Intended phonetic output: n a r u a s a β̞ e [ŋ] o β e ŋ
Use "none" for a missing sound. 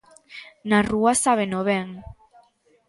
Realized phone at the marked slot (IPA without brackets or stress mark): n